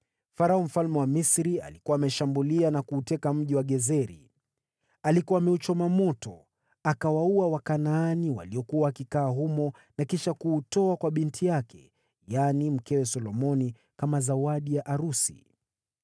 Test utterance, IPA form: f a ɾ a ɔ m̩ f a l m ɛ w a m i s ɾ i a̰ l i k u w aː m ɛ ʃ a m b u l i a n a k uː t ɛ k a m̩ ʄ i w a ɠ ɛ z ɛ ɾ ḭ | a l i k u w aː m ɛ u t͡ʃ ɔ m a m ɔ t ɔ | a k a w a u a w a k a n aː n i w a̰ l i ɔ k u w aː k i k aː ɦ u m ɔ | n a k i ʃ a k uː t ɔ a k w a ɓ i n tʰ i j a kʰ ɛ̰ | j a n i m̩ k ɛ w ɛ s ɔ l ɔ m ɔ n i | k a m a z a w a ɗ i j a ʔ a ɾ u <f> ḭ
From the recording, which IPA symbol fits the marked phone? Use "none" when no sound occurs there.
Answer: s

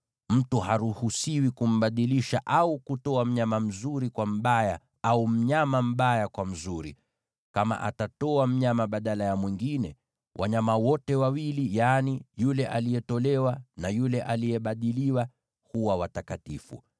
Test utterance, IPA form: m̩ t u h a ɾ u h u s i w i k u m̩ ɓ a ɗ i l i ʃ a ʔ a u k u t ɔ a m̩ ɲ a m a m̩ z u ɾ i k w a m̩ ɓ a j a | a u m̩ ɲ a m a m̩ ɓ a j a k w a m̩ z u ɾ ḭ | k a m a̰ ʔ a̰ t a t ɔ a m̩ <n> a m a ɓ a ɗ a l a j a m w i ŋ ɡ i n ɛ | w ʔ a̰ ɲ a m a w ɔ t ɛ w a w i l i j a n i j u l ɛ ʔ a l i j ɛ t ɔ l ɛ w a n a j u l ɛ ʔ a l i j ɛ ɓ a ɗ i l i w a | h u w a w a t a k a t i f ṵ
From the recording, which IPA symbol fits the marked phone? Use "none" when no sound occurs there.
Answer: ɲ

